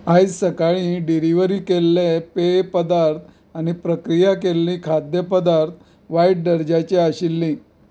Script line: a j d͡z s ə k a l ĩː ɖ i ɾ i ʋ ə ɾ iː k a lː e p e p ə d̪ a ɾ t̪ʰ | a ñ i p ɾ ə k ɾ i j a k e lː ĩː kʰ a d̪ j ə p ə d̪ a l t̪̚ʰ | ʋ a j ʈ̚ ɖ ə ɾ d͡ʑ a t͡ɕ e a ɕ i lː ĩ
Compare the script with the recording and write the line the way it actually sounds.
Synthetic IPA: a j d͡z s ə k a ɭ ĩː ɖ i ɾ i ʋ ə ɾ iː k e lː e p e p ə d̪ a ɾ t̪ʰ | a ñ i p ɾ ə k ɾ i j a k e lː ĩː kʰ a d̪ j ə p ə d̪ a ɾ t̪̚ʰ | ʋ a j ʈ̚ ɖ ə ɾ d͡ʑ a t͡ɕ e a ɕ i lː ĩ